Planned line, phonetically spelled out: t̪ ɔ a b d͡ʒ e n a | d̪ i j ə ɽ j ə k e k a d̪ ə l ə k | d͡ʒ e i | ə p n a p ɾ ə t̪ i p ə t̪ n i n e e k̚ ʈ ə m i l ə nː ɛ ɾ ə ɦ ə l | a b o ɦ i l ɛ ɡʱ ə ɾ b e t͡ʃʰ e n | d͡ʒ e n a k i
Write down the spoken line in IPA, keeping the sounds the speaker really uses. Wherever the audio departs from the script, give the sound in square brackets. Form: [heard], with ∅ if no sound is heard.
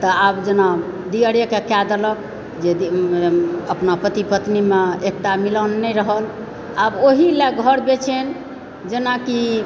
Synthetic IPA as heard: t̪ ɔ a b d͡ʒ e n a | d̪ i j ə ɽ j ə k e k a d̪ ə l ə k | d͡ʒ e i | ə p n a p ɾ ə t̪ i p ə t̪ n i [m] e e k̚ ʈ [a] m i l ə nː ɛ ɾ ə ɦ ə l | a b o ɦ i l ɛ ɡʱ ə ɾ b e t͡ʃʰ e n | d͡ʒ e n a k i